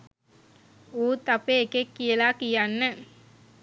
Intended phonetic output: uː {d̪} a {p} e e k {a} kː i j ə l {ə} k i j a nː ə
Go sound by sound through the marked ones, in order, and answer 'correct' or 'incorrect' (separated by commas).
incorrect, correct, incorrect, incorrect